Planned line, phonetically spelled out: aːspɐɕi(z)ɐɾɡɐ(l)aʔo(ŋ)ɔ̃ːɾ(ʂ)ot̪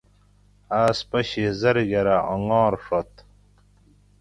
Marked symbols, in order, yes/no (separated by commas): yes, no, yes, yes